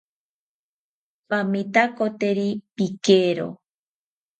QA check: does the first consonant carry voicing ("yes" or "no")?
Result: no